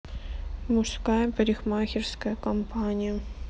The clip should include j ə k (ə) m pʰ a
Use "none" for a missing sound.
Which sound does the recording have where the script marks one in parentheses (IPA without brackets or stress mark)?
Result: ɐ